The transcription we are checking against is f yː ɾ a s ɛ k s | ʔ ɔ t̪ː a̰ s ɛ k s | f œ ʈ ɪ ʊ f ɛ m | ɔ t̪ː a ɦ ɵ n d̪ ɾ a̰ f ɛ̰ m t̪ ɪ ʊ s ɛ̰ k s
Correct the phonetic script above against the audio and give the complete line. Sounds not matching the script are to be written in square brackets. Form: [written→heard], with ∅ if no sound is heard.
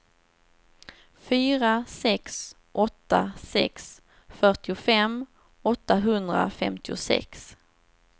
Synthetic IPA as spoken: f yː ɾ a s ɛ k s | ʔ ɔ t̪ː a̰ s ɛ k s | f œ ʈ ɪ ʊ f ɛ m | ɔ t̪ː a ɦ ɵ n d̪ ɾ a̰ f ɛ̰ m t̪ ɪ ʊ s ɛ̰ k s